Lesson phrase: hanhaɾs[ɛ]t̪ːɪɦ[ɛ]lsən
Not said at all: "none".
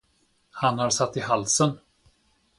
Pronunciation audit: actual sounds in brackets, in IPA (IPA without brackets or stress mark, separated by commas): a, a